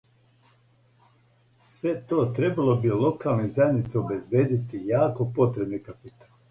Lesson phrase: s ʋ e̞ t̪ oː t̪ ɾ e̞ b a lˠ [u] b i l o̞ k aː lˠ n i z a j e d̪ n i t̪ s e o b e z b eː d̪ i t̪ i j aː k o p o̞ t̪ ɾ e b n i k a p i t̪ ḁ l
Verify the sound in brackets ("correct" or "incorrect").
incorrect